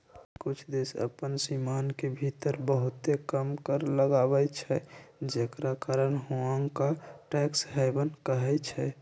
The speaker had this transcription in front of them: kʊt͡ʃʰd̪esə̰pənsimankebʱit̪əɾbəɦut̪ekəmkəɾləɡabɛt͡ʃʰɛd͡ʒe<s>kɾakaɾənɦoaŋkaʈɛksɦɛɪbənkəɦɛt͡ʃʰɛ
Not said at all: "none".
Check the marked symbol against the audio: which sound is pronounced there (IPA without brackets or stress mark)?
none